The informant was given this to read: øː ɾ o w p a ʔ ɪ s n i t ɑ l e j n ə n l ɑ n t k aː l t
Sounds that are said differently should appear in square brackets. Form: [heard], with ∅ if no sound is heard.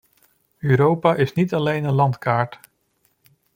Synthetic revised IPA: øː ɾ o w p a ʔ ɪ s n i t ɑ l e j n ə n l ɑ n t k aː [ɹ] t